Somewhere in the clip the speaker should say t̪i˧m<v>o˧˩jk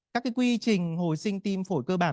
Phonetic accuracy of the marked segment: incorrect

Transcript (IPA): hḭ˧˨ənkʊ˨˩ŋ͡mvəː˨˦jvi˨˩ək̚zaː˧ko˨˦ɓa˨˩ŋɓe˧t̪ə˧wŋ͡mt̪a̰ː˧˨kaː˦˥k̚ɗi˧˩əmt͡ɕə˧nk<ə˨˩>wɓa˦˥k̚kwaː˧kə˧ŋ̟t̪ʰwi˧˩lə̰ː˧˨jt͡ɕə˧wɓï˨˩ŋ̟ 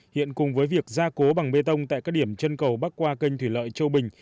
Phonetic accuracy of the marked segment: correct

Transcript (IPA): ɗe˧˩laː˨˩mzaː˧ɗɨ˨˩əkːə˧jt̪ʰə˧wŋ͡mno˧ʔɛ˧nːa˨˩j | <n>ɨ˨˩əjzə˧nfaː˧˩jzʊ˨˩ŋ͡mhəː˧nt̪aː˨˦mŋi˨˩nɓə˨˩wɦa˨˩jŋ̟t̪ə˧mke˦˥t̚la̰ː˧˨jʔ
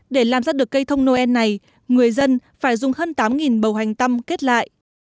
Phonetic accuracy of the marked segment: incorrect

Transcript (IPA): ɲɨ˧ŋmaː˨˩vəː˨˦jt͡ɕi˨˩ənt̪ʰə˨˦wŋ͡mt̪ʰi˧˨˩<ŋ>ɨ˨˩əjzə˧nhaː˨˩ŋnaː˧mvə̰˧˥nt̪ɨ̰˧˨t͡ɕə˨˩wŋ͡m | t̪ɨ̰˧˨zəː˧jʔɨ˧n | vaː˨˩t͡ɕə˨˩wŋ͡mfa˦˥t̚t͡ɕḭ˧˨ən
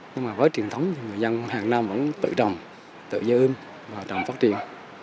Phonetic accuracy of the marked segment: correct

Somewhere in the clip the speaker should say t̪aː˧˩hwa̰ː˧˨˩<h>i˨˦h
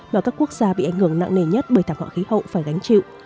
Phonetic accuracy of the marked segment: incorrect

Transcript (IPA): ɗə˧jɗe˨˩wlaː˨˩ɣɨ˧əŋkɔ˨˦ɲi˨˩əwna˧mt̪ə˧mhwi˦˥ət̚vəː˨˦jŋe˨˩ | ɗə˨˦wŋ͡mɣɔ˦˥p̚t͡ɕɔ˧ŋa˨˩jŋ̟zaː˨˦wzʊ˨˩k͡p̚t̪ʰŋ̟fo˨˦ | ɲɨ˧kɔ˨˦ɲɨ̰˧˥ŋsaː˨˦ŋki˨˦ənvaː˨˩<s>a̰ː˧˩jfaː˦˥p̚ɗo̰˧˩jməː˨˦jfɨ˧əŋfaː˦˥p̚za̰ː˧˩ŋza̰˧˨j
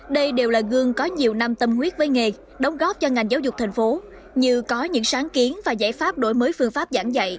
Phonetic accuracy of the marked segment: incorrect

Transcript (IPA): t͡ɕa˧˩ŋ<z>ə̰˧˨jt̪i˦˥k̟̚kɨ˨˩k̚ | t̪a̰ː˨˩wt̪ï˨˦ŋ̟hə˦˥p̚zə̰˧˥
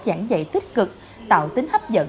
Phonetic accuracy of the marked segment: correct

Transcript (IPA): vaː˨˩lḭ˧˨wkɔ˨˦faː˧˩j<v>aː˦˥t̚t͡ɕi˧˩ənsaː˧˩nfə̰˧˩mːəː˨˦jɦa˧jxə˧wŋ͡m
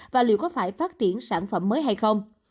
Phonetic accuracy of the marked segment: incorrect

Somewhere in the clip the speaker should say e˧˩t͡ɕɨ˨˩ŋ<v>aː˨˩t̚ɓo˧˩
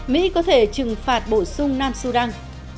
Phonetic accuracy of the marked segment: incorrect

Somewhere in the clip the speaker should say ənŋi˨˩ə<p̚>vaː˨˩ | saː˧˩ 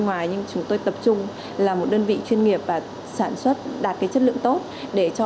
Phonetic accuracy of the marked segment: correct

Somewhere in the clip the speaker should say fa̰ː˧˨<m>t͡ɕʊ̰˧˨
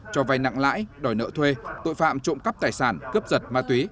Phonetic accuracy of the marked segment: correct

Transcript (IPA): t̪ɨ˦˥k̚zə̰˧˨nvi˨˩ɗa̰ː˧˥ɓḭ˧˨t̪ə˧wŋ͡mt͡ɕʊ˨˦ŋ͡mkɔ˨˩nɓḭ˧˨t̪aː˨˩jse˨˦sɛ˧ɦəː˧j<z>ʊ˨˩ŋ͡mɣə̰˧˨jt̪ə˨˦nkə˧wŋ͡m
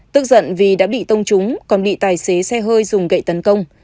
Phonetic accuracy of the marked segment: correct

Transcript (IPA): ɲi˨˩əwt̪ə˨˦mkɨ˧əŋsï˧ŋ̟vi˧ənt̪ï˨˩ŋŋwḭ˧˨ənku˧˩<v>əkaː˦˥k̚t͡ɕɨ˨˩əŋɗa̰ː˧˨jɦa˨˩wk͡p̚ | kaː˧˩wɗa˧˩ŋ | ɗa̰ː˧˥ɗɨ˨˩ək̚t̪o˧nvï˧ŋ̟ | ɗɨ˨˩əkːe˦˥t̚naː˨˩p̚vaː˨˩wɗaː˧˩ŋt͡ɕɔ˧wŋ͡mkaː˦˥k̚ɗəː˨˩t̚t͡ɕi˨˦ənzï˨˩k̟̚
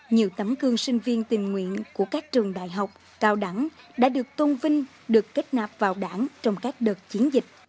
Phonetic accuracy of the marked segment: incorrect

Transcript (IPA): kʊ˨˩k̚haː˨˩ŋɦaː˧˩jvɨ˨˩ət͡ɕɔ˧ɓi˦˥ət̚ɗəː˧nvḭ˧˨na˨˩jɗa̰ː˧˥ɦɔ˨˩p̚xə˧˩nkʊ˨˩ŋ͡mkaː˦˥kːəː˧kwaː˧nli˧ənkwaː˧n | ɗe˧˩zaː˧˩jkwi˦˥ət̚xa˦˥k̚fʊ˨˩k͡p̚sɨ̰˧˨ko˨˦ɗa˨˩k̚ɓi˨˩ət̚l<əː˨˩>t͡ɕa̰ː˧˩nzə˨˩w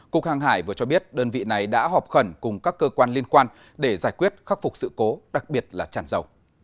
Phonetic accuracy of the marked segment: incorrect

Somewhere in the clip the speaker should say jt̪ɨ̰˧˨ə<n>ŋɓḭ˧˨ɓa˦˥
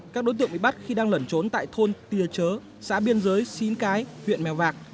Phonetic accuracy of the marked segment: incorrect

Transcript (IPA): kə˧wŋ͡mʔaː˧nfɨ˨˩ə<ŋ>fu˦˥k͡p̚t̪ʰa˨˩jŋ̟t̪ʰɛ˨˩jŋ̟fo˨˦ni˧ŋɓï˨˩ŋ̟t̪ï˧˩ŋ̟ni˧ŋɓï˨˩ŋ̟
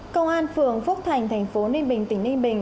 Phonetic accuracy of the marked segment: correct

